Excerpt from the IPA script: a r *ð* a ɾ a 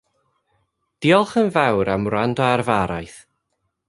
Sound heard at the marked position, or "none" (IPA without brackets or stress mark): v